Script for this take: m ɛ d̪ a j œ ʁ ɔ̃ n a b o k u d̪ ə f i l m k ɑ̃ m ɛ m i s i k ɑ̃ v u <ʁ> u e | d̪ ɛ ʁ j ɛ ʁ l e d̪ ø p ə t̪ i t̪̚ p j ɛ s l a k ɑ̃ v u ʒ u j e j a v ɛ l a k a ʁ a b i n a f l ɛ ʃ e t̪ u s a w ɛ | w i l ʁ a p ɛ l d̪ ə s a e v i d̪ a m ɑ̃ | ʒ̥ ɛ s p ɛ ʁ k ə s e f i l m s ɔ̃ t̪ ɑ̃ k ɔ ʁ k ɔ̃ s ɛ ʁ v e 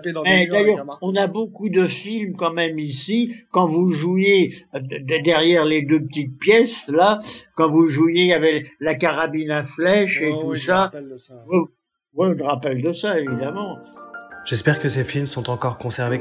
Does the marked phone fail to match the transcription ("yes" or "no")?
yes